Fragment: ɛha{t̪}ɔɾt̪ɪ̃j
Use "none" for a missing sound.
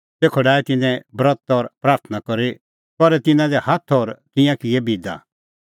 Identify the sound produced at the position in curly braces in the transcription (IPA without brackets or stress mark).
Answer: t̪ʰ